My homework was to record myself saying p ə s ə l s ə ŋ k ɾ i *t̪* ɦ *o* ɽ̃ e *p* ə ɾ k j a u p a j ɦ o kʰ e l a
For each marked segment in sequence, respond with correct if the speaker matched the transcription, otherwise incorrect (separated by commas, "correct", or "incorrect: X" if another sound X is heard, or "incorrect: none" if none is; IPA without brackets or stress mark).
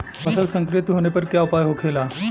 correct, correct, correct